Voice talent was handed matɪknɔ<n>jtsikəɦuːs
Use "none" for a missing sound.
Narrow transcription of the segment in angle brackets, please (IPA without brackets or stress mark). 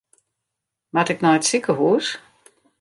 none